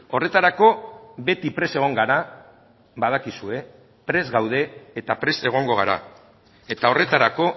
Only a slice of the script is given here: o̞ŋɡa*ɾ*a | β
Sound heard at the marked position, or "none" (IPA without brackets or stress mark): ɾ